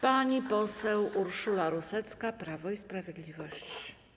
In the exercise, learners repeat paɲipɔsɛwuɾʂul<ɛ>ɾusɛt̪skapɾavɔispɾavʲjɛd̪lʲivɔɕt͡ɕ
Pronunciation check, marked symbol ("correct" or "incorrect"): incorrect